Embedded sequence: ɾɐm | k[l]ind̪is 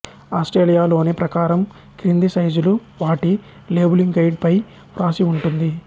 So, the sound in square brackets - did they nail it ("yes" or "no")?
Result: no